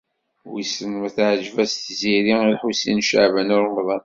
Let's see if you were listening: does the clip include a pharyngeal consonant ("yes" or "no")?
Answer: yes